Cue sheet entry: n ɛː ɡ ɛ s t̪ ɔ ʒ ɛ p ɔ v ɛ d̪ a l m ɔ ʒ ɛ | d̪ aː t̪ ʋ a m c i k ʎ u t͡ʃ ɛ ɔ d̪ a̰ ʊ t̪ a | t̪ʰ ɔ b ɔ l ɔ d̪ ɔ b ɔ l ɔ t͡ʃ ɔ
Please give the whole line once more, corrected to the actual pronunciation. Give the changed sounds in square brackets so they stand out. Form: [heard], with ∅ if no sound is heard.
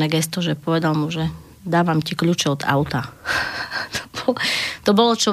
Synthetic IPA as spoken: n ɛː ɡ ɛ s t̪ ɔ ʒ ɛ p ɔ [ʋ] ɛ d̪ a l m [u] ʒ ɛ | d̪ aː [∅] ʋ a m c i k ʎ u t͡ʃ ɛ ɔ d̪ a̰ ʊ t̪ a | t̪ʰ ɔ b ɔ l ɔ [t̪] ɔ b ɔ l ɔ t͡ʃ ɔ